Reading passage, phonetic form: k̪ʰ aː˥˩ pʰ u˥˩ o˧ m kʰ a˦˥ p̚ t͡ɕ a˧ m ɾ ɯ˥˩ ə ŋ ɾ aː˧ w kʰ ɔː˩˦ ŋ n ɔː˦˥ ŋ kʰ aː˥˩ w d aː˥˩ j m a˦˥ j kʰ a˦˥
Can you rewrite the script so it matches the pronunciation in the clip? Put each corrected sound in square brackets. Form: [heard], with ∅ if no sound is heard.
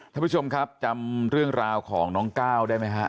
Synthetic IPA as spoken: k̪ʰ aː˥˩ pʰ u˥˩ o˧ m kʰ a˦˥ p̚ t͡ɕ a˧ m ɾ ɯ˥˩ ə ŋ ɾ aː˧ w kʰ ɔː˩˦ ŋ n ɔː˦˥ ŋ [k] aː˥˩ w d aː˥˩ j m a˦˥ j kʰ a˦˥